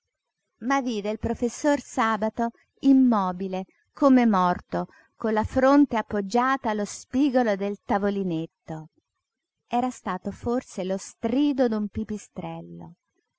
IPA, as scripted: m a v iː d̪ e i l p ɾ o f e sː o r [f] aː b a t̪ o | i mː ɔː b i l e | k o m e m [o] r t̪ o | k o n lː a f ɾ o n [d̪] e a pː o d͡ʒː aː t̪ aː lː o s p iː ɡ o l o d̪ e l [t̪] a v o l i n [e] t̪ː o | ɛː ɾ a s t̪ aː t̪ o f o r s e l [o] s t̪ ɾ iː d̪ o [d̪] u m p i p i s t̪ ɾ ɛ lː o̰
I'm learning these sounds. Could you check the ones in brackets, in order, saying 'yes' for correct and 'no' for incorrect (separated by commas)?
no, no, no, yes, yes, yes, yes